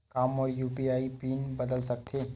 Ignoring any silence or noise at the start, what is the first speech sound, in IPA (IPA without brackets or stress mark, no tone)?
k